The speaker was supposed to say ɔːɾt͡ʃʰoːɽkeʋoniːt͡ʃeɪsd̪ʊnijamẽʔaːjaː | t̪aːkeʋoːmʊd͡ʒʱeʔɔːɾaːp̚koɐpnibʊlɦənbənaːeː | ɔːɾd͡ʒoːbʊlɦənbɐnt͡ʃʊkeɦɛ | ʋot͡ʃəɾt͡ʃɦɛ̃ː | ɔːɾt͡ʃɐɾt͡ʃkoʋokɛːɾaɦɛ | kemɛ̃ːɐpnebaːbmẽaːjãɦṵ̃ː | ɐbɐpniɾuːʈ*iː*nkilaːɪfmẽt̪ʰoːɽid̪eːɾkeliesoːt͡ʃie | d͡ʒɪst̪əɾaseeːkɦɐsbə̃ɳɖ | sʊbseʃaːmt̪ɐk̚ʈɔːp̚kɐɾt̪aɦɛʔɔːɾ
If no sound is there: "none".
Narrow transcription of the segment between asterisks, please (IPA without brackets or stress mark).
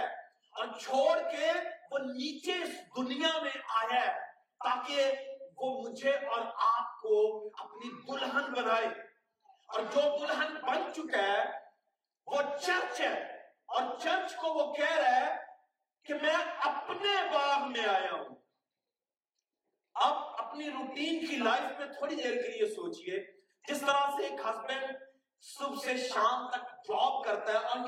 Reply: iː